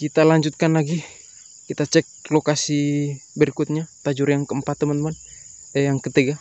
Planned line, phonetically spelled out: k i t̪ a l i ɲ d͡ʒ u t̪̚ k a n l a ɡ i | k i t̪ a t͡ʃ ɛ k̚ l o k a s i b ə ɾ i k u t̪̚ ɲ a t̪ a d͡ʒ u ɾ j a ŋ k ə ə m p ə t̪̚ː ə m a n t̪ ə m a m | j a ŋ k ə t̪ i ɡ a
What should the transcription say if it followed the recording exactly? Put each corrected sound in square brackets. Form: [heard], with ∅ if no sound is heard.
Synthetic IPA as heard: k i t̪ a l [a] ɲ d͡ʒ u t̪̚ k a n l a ɡ i | k i t̪ a t͡ʃ ɛ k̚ l o k a s i b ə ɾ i k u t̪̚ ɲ a t̪ a d͡ʒ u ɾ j a ŋ k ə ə m p [a] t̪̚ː ə m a n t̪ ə m a [n] | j a ŋ k ə t̪ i ɡ a